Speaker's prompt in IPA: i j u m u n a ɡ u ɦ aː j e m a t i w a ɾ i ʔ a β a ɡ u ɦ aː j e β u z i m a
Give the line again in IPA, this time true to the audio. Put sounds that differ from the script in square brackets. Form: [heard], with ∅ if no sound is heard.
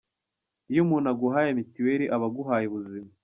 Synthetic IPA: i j u m u n a ɡ u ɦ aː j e m [i] t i w [e] ɾ i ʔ a β a ɡ u ɦ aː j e β u z i m a